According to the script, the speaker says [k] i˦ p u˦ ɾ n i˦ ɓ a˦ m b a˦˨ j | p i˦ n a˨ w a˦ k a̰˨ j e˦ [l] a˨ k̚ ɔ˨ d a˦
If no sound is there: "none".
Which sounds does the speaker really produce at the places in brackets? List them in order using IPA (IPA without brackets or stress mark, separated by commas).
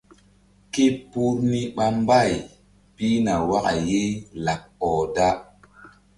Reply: k, l